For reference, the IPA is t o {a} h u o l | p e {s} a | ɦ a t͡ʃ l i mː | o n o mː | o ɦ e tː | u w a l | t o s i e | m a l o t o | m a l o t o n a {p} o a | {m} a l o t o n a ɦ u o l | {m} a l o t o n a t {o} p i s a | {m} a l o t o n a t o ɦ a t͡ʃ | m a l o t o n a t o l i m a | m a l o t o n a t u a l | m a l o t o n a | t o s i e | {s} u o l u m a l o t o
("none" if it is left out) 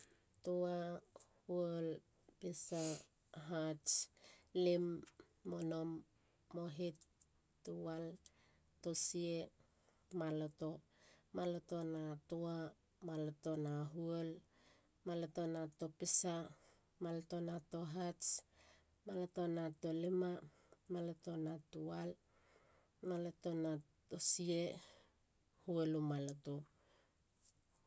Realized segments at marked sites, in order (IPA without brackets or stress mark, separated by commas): a, s, t, m, m, o, m, h